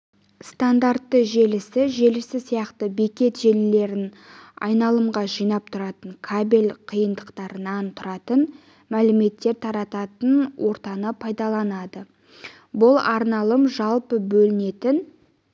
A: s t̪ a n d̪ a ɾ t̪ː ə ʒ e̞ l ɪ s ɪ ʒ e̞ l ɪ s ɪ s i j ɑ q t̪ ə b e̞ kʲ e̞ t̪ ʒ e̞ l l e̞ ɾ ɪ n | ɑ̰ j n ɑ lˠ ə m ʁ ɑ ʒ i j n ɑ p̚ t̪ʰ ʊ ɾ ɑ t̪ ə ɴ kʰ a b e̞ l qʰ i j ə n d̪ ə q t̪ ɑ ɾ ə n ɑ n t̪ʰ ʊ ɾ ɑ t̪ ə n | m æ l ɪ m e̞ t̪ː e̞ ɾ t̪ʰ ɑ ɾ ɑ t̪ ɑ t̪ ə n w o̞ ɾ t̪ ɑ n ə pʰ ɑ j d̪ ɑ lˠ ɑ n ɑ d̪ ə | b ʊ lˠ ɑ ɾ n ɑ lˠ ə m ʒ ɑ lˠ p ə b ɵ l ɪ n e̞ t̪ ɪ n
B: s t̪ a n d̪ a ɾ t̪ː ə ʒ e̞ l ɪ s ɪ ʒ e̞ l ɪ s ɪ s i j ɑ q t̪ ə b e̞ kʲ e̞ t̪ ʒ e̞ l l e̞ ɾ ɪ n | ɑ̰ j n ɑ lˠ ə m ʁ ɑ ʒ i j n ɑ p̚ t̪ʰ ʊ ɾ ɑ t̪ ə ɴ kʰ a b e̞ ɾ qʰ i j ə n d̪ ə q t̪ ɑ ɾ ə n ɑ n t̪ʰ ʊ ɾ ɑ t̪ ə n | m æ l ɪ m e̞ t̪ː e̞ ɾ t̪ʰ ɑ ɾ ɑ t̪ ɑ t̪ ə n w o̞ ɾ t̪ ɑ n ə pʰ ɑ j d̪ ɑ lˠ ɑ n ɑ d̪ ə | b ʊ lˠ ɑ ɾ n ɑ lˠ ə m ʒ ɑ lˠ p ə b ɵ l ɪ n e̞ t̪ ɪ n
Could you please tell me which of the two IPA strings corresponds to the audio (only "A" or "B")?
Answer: A